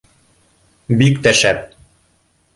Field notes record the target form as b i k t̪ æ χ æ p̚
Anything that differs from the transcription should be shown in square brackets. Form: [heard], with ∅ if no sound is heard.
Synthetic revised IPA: b i k t̪ æ [ʃ] æ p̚